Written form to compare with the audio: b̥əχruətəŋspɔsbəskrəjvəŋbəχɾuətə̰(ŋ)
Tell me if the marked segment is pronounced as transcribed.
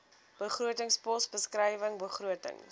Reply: yes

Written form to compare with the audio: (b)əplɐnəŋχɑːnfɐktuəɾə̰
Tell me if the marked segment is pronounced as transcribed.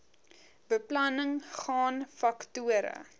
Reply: yes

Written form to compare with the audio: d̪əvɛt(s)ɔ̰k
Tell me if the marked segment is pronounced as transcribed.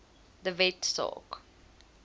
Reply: yes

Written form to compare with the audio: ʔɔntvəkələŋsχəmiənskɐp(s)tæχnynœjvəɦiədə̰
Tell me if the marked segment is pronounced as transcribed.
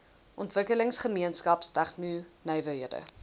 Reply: yes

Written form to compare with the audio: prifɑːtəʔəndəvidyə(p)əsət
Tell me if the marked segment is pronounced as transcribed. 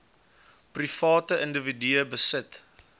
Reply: no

